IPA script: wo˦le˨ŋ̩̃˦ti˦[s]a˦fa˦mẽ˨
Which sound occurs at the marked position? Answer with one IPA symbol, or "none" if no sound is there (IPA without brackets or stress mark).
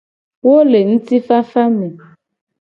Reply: f